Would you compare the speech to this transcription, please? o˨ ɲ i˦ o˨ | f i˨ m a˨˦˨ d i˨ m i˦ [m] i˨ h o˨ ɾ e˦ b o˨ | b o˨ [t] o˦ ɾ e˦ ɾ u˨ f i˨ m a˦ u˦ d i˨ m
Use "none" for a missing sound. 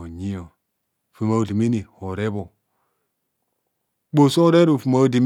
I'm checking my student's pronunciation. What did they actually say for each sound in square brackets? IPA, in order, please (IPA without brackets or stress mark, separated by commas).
n, s